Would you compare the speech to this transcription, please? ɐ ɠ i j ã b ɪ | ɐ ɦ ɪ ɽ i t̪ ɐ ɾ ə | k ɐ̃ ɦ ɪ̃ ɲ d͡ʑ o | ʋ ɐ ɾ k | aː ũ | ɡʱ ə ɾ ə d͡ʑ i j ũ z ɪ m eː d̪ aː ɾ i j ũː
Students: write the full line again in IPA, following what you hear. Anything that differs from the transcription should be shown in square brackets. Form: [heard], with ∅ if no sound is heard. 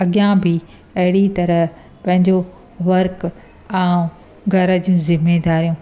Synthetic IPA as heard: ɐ ɠ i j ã b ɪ | ɐ ɦ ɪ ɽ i t̪ ɐ ɾ ə | [p] ɐ̃ ɦ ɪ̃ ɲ d͡ʑ o | ʋ ɐ ɾ k | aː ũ | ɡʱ [ɐ] ɾ ə d͡ʑ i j ũ z ɪ m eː d̪ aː ɾ i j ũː